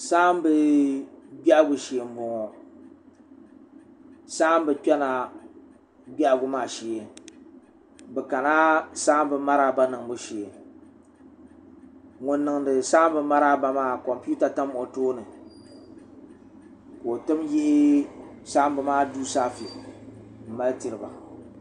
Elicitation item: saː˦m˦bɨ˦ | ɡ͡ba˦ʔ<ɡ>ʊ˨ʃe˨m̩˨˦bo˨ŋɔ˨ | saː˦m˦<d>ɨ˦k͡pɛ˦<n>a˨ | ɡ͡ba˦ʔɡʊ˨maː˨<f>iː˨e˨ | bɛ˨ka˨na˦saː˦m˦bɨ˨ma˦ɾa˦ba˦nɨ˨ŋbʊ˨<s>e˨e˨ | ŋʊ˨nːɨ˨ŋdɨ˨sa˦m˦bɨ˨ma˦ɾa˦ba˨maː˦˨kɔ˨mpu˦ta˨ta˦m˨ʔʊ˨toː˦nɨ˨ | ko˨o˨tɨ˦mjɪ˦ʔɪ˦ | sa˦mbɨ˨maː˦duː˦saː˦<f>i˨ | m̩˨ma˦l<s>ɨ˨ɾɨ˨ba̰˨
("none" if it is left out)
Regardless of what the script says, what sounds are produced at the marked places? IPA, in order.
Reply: ɡ, b, n, ʃ, ʃ, f, t

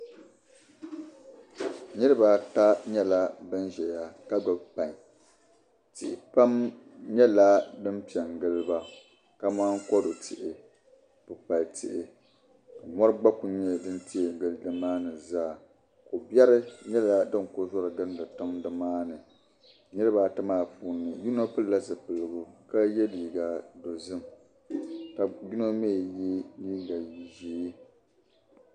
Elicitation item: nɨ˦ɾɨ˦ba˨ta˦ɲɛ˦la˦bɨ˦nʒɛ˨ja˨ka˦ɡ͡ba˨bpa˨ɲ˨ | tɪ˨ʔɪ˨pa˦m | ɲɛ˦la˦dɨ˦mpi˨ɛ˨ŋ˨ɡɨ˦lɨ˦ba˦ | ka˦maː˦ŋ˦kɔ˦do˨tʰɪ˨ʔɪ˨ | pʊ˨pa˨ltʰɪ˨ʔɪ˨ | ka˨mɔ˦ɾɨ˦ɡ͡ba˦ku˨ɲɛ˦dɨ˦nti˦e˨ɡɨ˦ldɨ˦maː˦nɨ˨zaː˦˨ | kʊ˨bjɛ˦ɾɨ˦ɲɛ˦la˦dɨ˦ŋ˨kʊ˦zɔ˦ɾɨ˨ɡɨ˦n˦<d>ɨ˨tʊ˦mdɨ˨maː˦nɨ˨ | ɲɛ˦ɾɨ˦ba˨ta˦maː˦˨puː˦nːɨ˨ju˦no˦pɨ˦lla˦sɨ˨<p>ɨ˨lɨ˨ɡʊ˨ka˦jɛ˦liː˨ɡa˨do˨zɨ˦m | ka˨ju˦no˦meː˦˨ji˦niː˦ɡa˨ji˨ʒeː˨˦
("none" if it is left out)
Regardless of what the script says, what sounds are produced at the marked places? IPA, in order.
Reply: d, p

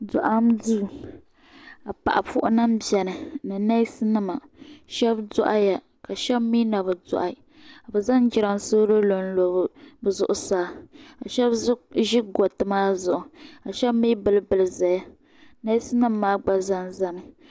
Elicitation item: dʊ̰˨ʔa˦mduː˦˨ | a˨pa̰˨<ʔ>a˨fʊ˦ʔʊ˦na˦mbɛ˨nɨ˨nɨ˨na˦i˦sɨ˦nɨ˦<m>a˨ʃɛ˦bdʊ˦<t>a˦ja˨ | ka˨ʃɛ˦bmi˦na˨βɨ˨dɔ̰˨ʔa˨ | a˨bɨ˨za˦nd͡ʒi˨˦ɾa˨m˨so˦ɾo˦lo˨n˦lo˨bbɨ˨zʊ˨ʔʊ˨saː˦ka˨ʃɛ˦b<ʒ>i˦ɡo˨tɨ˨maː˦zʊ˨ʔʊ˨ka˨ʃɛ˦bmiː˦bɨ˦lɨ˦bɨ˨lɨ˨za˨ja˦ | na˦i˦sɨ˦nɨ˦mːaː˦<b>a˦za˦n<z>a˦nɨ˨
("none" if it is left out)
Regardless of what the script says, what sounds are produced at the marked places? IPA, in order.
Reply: ʔ, m, ʔ, ʒ, ɡ͡b, z

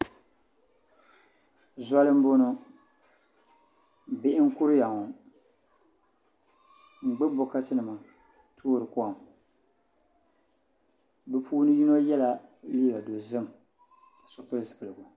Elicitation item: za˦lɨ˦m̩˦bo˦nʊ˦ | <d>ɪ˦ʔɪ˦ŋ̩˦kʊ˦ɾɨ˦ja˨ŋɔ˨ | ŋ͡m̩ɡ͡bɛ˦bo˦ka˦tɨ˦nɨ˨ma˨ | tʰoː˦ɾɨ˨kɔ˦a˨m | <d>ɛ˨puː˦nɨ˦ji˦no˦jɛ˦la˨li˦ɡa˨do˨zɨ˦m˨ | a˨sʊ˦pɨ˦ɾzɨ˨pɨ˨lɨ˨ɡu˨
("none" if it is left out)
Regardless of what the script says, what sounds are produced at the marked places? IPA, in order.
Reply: b, b

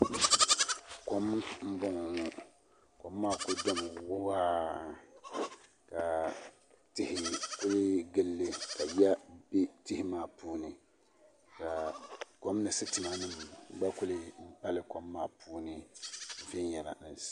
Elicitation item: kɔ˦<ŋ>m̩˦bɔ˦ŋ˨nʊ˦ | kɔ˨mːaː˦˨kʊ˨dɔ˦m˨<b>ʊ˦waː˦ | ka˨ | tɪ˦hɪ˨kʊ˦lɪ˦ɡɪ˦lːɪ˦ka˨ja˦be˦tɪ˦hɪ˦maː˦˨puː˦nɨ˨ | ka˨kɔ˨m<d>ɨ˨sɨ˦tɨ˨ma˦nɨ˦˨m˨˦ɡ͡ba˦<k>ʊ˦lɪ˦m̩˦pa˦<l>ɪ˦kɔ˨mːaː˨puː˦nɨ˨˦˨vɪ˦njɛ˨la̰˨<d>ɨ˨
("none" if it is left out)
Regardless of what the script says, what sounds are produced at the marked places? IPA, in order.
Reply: m, w, n, k, l, n

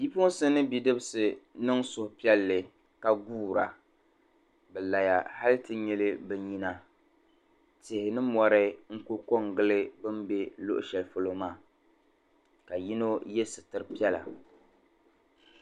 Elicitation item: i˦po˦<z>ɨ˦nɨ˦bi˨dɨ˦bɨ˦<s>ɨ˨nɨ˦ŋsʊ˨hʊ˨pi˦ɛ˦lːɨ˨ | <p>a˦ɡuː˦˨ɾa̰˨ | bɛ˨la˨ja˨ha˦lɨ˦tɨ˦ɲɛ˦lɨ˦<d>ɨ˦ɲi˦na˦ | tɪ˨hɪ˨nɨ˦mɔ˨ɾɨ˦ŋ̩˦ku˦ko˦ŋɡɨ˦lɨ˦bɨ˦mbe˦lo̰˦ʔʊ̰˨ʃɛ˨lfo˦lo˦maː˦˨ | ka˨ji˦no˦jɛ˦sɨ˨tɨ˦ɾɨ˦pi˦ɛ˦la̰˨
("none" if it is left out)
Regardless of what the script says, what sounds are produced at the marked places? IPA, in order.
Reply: s, s, k, b

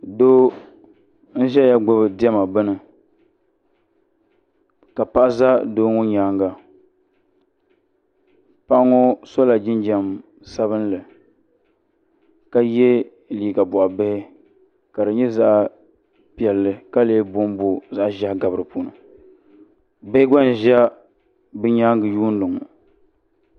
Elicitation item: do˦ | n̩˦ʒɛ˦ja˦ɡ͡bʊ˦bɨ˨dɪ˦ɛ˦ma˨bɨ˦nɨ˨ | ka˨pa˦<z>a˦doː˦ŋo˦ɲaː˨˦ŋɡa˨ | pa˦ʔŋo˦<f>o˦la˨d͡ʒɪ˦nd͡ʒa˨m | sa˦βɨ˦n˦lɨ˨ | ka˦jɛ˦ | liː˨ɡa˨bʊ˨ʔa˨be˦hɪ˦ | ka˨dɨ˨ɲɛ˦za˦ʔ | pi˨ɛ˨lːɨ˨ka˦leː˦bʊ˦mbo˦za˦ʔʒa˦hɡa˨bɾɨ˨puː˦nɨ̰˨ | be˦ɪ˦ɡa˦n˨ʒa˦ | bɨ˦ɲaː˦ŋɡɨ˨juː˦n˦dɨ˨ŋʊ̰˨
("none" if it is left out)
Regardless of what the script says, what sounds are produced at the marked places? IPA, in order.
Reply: z, s

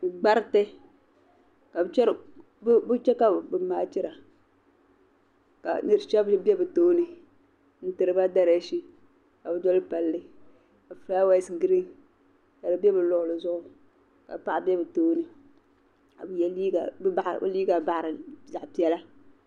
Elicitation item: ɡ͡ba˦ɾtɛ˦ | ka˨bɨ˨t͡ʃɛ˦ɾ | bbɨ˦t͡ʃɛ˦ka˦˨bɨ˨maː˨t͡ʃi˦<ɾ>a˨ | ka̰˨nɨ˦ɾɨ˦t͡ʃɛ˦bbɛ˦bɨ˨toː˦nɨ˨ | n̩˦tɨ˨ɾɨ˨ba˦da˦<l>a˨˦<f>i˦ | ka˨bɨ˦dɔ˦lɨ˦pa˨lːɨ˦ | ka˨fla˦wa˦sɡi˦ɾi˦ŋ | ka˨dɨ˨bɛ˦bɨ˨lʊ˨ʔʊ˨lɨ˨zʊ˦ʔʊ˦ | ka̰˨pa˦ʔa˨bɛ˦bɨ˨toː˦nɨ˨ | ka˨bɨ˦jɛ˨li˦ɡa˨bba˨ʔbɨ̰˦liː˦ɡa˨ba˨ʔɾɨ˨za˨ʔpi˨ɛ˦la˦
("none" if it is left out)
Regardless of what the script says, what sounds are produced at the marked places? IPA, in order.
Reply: ɾ, ɾ, ʃ

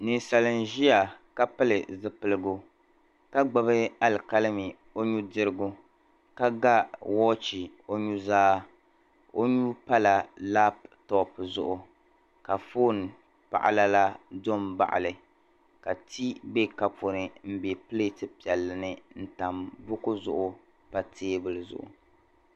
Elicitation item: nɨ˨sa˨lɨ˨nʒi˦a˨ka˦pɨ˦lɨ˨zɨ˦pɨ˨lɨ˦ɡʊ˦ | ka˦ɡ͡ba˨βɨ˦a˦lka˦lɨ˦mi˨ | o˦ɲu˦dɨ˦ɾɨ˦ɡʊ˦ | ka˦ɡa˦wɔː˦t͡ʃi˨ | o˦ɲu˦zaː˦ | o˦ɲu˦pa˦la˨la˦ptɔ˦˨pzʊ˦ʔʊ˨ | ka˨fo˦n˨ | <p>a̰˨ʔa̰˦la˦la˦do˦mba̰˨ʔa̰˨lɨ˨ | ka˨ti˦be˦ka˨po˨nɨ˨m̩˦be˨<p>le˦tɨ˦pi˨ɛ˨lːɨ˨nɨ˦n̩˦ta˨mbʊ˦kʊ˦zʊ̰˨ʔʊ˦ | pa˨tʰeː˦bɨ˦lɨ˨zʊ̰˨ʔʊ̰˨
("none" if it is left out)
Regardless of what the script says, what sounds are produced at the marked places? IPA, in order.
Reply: p, p

